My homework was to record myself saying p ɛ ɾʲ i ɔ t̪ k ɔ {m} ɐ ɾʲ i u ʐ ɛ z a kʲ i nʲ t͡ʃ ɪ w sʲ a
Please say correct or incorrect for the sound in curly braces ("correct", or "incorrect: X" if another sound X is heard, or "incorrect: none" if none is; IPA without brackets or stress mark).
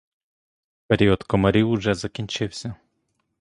correct